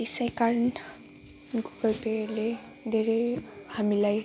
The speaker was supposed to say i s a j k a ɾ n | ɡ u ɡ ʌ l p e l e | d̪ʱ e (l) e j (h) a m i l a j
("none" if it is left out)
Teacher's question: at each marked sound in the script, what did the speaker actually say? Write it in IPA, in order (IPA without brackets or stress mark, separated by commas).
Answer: ɾ, h